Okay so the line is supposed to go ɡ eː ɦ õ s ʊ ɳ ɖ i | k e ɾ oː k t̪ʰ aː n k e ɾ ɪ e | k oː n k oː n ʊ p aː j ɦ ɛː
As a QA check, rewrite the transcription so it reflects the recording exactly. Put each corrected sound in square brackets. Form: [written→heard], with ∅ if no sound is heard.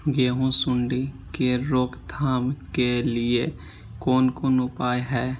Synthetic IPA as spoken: ɡ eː ɦ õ s ʊ ɳ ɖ i | k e ɾ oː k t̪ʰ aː [n→m] k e [ɾ→l] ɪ e | k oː n k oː n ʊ p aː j ɦ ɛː